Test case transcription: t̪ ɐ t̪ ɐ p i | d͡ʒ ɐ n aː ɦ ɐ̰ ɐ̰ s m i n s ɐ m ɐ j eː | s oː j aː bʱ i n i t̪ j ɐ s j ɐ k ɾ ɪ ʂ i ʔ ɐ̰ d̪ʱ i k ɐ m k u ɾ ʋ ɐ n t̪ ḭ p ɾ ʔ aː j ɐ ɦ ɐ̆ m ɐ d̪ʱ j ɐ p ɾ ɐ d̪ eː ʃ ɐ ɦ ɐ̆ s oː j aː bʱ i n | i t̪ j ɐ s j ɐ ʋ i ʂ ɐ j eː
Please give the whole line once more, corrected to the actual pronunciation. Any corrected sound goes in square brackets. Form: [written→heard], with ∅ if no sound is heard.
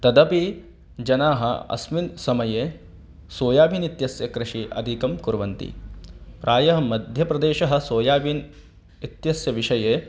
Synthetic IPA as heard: t̪ ɐ [t̪→d̪] ɐ p i | d͡ʒ ɐ n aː ɦ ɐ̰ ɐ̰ s m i n s ɐ m ɐ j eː | s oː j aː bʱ i n i t̪ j ɐ s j ɐ k ɾ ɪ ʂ i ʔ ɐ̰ d̪ʱ i k ɐ m k u ɾ ʋ ɐ n t̪ ḭ p ɾ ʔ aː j ɐ ɦ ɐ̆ m ɐ d̪ʱ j ɐ p ɾ ɐ d̪ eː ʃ ɐ ɦ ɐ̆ s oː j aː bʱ i n | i t̪ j ɐ s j ɐ ʋ i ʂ ɐ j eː